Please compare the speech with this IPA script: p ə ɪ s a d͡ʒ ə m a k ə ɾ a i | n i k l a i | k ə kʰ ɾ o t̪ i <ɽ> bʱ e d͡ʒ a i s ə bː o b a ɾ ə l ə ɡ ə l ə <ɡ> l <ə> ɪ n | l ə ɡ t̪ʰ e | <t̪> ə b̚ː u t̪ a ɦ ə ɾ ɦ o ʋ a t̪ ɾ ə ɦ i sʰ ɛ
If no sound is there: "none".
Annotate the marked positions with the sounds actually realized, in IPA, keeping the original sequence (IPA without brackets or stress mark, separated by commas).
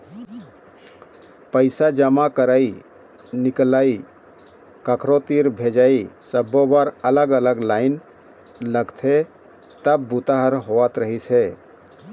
ɾ, ɡ, a, t̪